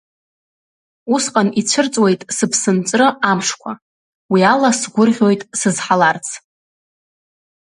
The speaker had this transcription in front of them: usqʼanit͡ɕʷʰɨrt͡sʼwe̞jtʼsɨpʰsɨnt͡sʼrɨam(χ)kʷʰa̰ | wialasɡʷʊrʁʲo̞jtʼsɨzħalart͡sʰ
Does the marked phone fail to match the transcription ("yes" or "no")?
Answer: yes